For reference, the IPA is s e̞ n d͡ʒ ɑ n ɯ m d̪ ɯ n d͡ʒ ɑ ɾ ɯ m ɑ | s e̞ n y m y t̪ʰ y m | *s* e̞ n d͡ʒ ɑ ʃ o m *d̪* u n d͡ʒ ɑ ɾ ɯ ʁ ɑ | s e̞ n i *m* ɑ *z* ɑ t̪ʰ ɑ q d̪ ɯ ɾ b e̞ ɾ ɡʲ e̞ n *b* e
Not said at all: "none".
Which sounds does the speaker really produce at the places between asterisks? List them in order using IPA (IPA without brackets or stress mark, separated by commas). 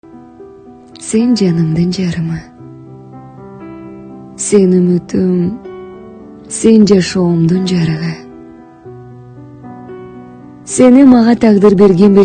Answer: s, d̪, m, ʁ, b